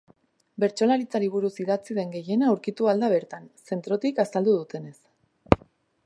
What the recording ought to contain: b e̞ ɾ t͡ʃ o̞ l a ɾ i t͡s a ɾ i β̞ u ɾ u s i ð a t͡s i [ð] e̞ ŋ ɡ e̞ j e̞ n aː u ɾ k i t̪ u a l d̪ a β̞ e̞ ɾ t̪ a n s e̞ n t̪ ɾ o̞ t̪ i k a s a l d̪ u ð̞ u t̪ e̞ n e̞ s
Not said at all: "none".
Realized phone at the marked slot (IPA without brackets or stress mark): ð